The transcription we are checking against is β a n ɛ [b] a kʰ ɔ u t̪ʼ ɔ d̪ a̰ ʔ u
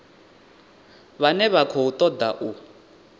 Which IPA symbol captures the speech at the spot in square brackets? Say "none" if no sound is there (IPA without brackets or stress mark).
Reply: β